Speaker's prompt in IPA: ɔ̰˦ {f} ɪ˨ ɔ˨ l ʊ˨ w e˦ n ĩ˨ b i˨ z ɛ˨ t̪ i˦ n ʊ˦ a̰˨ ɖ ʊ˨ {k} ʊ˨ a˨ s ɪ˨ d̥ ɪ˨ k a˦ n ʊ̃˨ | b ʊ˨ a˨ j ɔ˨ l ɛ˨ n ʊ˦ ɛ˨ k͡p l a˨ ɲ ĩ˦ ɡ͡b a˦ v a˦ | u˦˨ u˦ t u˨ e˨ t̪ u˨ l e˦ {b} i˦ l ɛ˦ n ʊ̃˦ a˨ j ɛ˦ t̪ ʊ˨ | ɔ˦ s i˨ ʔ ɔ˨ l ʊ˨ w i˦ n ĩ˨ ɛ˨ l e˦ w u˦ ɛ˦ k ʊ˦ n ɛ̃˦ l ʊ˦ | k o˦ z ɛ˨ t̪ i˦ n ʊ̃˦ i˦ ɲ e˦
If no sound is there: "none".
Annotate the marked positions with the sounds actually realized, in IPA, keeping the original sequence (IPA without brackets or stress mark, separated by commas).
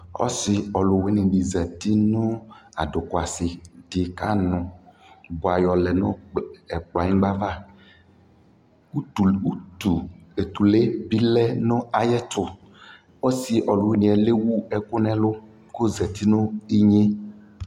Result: s, k, b